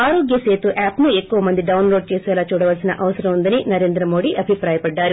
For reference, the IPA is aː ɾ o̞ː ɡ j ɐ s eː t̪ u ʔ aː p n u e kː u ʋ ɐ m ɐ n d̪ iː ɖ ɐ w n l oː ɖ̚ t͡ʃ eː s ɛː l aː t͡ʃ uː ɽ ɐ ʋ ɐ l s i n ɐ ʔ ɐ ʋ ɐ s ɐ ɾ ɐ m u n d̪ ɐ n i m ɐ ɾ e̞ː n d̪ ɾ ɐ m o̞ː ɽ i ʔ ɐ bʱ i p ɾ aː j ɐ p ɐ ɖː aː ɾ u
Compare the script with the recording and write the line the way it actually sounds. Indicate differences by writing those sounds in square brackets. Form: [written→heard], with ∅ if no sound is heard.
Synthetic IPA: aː ɾ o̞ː ɡ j ɐ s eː t̪ u ʔ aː p n u e kː u ʋ ɐ m ɐ n d̪ [iː→i] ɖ ɐ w n l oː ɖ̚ t͡ʃ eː s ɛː l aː t͡ʃ uː ɽ ɐ ʋ ɐ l s i n ɐ ʔ ɐ ʋ ɐ s ɐ ɾ ɐ m u n d̪ ɐ n i [m→n] ɐ ɾ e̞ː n d̪ ɾ ɐ m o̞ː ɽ i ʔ ɐ bʱ i p ɾ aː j ɐ p ɐ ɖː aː ɾ u